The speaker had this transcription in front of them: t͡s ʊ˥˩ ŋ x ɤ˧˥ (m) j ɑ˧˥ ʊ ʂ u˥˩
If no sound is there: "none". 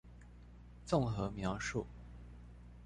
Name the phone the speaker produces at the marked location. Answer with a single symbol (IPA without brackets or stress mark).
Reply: m